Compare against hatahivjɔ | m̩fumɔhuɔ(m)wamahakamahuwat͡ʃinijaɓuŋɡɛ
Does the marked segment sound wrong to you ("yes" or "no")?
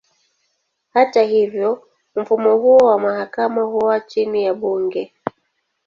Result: yes